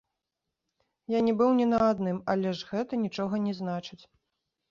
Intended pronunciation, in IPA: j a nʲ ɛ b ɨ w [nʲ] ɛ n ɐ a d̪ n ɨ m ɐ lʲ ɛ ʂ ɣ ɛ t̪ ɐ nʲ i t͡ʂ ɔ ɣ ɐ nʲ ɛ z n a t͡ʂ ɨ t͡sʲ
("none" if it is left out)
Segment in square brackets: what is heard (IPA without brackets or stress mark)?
nʲ